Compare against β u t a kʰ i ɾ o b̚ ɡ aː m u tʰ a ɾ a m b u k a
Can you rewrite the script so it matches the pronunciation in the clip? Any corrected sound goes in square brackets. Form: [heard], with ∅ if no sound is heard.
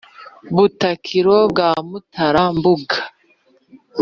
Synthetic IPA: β u t a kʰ i ɾ o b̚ ɡ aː m u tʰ a ɾ a m b u [ɡ] a

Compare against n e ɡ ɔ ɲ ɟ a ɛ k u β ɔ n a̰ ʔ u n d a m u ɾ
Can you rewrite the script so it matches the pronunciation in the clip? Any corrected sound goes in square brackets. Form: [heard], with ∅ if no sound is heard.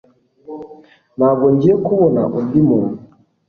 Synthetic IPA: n [a] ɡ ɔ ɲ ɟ [i] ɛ k u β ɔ n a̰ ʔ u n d [i] m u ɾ

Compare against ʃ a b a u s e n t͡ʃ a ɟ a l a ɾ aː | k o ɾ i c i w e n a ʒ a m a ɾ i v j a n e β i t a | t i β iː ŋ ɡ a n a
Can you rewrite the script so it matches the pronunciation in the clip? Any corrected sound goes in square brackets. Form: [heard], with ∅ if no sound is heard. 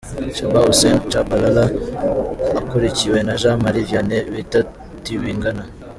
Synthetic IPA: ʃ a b a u s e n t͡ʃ a [b] a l a [l] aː | k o ɾ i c i w e n a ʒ a m a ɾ i v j a n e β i t a | t i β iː ŋ ɡ a n a

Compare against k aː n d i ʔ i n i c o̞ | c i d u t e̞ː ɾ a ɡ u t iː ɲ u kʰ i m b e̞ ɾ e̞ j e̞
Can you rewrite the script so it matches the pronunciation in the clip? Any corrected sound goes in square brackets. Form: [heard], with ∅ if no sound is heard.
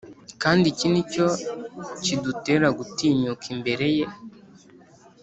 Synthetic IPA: k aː n d i [c] i n i c o̞ | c i d u t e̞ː ɾ a ɡ u t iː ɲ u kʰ i m b e̞ ɾ e̞ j e̞

